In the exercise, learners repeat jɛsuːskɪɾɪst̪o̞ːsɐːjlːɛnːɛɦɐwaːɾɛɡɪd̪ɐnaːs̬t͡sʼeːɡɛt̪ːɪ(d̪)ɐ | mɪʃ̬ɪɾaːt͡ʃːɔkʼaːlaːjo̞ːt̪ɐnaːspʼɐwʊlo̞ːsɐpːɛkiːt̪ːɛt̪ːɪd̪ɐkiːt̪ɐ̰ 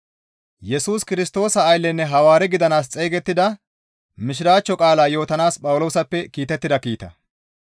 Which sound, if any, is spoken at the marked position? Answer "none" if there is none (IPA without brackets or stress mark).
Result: d̪